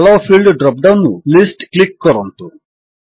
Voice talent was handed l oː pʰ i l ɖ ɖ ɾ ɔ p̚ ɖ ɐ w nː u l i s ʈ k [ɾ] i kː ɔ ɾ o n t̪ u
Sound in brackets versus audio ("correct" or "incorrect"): incorrect